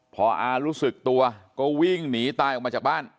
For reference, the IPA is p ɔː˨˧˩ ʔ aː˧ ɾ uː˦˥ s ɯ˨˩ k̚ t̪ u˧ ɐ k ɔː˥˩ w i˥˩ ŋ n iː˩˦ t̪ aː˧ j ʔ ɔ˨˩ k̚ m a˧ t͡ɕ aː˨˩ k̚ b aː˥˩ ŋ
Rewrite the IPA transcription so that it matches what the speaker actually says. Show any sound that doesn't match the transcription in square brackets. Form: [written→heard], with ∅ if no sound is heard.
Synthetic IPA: [p→pʰ] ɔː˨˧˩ ʔ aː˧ ɾ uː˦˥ s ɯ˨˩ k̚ t̪ u˧ ɐ k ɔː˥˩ w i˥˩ ŋ n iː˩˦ t̪ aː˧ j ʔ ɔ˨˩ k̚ m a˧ t͡ɕ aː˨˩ k̚ b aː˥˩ [ŋ→n]